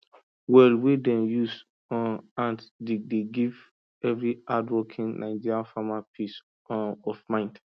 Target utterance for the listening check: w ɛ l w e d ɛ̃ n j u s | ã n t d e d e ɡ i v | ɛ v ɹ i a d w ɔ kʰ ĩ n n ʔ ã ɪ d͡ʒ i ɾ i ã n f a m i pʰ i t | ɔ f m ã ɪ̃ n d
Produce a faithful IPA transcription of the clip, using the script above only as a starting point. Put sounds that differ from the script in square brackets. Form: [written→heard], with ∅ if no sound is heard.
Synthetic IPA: w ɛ l w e d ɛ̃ n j u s | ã n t d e d e ɡ i v | ɛ v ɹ i a d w ɔ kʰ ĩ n n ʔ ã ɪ d͡ʒ i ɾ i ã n f a m [i→a] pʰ i [t→s] | ɔ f m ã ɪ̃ n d